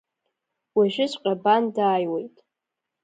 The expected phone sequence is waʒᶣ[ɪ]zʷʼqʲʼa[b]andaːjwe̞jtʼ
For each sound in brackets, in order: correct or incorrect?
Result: correct, correct

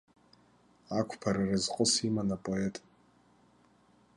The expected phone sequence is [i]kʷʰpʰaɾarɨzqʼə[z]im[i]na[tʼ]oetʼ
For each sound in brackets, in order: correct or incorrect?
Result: incorrect: a, incorrect: s, incorrect: a, incorrect: pʼ

